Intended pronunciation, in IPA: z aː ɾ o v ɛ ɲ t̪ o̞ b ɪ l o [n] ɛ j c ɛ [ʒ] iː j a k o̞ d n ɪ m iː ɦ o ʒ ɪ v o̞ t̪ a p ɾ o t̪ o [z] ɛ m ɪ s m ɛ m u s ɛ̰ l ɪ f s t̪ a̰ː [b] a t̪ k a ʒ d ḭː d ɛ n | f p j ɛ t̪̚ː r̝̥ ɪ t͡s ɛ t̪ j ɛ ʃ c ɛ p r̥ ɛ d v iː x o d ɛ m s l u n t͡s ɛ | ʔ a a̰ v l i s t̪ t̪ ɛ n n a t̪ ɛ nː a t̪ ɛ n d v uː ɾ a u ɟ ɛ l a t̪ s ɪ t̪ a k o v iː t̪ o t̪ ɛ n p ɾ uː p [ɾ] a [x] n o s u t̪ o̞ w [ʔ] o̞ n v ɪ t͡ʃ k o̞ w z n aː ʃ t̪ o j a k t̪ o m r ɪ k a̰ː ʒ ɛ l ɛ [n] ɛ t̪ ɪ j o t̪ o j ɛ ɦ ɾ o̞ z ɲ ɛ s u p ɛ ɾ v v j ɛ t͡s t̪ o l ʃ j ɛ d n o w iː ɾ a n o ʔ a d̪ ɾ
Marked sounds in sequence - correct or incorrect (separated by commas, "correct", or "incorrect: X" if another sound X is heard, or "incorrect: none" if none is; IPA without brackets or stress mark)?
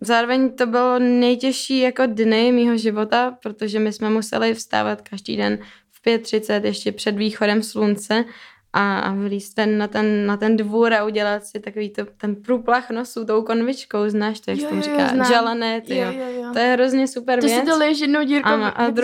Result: correct, incorrect: ʃ, incorrect: ʒ, incorrect: v, incorrect: l, correct, incorrect: k, correct